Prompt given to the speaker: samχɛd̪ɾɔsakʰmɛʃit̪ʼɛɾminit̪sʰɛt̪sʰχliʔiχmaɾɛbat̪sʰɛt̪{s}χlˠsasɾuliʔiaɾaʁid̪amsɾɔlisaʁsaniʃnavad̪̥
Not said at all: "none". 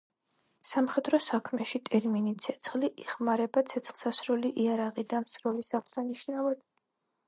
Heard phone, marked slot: s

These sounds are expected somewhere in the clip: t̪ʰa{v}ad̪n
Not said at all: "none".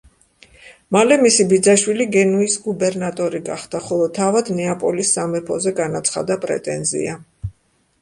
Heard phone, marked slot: v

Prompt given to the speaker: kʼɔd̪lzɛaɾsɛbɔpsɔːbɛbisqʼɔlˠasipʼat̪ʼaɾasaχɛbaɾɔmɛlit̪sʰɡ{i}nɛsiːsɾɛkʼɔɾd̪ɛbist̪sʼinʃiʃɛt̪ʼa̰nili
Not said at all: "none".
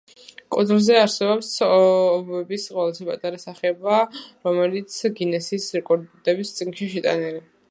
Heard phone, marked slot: i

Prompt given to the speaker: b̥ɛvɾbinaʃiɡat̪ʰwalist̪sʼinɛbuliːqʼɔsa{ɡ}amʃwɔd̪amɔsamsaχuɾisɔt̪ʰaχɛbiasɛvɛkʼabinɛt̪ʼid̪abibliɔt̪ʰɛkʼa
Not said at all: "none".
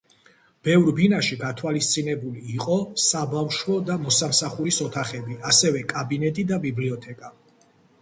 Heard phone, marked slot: b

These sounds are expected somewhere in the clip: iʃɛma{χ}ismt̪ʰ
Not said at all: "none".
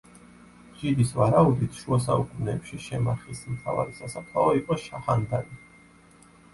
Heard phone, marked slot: χ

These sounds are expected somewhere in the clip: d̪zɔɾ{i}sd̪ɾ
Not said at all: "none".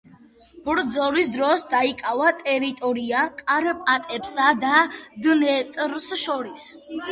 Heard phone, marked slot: i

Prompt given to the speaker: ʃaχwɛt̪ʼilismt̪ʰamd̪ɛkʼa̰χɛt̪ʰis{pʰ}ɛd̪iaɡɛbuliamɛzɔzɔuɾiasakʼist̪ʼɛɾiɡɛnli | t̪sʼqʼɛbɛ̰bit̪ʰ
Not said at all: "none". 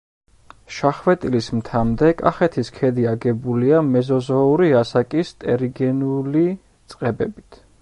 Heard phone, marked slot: kʰ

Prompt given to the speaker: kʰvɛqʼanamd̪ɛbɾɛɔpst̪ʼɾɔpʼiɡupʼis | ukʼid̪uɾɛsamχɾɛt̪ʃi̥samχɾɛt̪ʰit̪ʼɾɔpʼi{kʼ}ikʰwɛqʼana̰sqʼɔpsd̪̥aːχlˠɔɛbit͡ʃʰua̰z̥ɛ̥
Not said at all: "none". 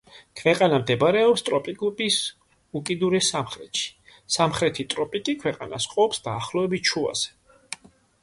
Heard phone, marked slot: kʼ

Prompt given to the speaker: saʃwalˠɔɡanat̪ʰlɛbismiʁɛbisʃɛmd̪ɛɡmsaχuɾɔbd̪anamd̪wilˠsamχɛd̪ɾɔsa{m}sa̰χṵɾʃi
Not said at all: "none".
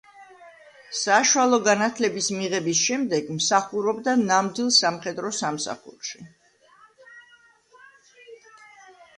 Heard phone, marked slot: m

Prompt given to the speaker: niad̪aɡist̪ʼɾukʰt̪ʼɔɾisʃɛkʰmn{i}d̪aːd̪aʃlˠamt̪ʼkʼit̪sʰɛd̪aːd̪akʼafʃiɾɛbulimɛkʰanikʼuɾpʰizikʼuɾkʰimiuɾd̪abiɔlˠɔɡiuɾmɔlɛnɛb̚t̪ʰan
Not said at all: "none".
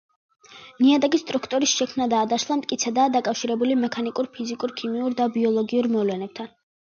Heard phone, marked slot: a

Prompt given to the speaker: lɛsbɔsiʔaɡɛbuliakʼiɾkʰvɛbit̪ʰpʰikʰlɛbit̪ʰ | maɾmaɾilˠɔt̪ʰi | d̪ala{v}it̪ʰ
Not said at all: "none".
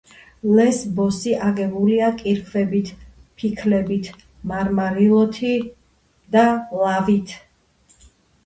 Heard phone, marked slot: v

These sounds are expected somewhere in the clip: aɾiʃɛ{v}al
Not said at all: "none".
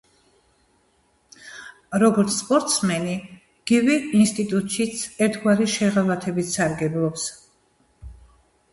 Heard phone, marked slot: ʁ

